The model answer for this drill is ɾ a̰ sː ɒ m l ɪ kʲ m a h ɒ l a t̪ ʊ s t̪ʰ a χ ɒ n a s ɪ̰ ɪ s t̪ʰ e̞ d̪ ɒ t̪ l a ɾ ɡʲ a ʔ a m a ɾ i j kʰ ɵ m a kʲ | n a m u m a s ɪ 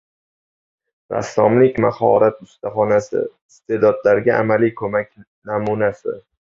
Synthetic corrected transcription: ɾ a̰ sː ɒ m l ɪ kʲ m a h ɒ ɾ a t̪ ʊ s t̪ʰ a χ ɒ n a s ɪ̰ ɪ s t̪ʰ e̞ d̪ ɒ d̪ l a ɾ ɡʲ a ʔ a m a l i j kʰ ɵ m a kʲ | n a m u n a s ɪ